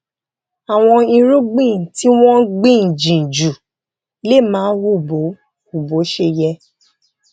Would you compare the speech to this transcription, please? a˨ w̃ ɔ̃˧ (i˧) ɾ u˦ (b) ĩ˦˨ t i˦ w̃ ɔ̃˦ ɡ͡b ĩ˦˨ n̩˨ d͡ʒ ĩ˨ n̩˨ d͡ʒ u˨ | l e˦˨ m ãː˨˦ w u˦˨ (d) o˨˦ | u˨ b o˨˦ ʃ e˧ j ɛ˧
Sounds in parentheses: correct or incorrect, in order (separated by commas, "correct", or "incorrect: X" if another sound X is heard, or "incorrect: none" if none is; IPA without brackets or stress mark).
correct, incorrect: ɡ͡b, incorrect: b